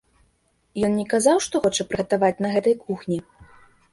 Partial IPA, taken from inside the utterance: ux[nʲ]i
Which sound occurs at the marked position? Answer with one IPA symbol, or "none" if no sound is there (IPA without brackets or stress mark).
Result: nʲ